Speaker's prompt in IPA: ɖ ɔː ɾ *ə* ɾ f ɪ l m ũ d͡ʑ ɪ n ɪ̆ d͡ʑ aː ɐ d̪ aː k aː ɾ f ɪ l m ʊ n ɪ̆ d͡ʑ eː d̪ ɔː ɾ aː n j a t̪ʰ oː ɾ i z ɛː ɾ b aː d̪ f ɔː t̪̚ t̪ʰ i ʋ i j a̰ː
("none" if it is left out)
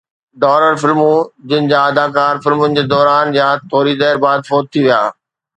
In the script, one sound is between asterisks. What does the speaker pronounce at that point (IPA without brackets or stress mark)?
ə